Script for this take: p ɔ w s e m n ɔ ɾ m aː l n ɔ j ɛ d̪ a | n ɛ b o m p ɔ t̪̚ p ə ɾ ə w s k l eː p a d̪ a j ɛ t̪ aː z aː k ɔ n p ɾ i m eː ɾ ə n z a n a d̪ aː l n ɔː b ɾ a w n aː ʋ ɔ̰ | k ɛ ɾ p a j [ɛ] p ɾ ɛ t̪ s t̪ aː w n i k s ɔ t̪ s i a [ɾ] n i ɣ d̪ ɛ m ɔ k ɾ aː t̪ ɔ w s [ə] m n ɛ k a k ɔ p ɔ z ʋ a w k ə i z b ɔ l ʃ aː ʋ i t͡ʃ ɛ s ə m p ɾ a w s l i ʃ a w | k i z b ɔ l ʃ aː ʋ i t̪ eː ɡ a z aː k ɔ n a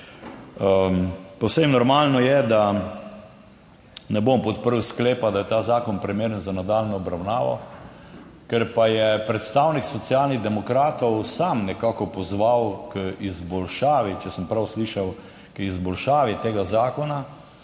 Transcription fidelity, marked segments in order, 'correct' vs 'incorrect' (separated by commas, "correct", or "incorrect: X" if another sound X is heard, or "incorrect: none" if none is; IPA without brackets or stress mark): correct, incorrect: l, incorrect: a